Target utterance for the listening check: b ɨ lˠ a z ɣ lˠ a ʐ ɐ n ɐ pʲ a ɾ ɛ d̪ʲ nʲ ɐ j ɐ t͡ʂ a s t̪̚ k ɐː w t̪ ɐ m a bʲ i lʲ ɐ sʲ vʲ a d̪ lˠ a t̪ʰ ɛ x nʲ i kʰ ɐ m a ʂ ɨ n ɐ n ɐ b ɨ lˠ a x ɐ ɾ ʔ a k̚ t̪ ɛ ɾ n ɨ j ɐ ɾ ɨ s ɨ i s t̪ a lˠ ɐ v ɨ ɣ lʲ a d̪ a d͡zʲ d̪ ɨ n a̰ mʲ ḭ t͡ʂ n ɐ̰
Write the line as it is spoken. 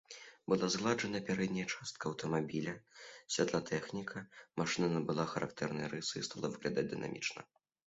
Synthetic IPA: b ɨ lˠ a z ɣ lˠ a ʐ ɐ n ɐ pʲ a ɾ ɛ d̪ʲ nʲ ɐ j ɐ t͡ʂ a s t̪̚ k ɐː w t̪ ɐ m a bʲ i lʲ ɐ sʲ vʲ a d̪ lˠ a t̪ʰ ɛ x nʲ i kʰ ɐ m a ʂ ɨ n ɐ n ɐ b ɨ lˠ a x ɐ ɾ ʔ a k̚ t̪ ɛ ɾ n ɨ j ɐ ɾ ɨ s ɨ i s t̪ a lˠ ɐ v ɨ ɣ lʲ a d̪ a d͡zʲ d̪ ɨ n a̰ mʲ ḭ t͡ʂ n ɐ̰